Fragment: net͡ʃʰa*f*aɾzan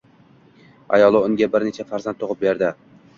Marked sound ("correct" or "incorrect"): correct